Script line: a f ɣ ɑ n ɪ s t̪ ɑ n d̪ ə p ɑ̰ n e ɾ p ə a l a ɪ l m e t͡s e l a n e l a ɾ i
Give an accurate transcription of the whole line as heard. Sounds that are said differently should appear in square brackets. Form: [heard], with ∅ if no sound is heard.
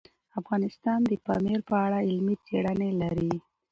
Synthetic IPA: a f ɣ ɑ n ɪ s t̪ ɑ n d̪ ə p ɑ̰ [m] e ɾ p ə a [ɽ] a ɪ l m [i] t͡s e [ɽ] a n e l a ɾ i